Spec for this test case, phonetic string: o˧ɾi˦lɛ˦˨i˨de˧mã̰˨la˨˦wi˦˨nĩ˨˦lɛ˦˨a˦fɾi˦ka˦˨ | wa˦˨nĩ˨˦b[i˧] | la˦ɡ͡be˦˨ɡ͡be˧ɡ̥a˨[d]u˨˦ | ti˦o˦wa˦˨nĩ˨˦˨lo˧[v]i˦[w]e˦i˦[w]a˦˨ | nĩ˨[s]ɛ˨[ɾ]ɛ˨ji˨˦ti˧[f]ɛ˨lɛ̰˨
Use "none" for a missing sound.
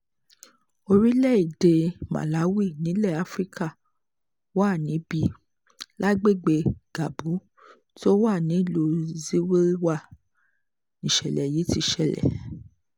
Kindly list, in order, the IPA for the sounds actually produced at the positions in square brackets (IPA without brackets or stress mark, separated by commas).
i˧, b, z, w, w, ʃ, l, ʃ